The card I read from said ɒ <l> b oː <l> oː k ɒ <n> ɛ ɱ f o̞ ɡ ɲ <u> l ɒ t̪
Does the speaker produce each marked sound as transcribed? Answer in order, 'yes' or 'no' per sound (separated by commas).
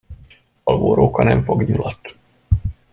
yes, no, yes, yes